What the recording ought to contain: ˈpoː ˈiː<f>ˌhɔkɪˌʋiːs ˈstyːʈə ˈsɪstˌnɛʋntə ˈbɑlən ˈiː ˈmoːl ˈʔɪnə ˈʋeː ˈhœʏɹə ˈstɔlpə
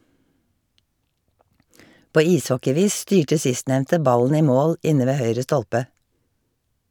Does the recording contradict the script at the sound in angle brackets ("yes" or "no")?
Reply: yes